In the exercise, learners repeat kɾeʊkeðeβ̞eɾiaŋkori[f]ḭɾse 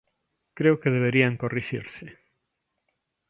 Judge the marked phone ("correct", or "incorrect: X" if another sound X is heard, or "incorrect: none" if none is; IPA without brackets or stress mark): incorrect: ʃ